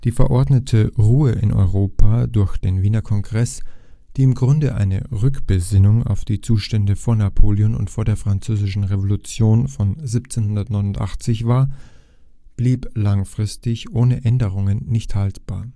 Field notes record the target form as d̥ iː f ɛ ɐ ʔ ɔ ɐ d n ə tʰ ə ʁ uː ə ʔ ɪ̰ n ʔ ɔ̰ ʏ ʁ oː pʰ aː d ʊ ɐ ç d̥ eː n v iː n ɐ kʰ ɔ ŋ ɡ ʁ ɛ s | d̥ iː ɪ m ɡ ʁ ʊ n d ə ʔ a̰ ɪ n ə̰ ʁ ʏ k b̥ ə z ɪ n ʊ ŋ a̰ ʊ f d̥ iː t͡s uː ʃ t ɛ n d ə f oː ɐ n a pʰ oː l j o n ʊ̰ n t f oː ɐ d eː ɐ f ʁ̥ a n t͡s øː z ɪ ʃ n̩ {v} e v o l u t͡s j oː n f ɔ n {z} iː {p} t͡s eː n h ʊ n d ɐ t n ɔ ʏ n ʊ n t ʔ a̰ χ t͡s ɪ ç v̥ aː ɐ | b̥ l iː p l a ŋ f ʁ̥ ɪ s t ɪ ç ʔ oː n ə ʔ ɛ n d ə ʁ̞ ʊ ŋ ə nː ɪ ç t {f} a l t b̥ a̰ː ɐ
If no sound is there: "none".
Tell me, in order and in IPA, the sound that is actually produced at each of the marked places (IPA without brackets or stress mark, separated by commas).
ʁ, z, p, h